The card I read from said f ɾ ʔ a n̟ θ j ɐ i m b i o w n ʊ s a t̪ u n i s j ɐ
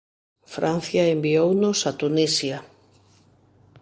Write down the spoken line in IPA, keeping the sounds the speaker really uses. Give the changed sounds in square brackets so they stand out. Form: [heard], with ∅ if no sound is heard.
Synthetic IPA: f ɾ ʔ a n̟ θ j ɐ [e] m b i o w n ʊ s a t̪ u n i s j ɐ